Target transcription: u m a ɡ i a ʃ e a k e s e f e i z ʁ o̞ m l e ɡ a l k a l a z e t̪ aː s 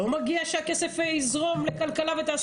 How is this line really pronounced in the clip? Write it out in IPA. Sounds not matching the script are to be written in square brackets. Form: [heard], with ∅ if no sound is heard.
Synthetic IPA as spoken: u m a ɡ i a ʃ e a k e s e f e i z ʁ o̞ m l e [k] a l k a l a [v] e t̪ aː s